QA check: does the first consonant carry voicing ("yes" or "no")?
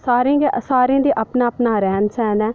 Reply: no